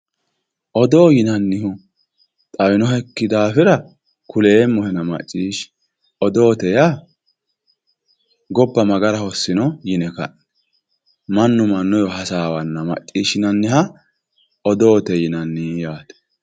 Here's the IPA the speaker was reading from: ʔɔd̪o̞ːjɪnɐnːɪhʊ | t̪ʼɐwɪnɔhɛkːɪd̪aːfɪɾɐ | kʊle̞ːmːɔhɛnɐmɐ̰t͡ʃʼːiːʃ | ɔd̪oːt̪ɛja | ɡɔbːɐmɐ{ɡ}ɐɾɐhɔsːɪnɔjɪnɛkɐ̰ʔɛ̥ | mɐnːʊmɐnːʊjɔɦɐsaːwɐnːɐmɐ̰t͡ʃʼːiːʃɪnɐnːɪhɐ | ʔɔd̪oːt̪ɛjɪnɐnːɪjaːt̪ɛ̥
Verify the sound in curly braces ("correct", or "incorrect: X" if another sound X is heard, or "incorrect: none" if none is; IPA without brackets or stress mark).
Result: correct